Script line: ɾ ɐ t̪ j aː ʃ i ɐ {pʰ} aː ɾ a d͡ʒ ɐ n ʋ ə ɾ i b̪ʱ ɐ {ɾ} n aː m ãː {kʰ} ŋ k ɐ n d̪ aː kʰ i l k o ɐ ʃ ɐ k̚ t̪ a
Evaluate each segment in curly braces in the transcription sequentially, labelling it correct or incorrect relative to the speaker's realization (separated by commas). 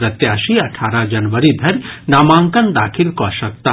incorrect, correct, incorrect